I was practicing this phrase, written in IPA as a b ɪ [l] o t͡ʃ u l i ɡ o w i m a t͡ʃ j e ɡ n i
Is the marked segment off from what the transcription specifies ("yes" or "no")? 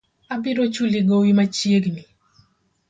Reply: yes